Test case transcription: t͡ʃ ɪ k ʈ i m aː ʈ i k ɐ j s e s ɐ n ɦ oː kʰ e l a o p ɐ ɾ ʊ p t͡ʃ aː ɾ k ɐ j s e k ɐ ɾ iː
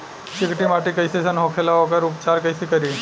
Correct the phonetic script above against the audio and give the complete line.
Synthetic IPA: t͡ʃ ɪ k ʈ i m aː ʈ i k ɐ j s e s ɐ n ɦ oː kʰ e l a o k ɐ ɾ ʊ p t͡ʃ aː ɾ k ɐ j s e k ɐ ɾ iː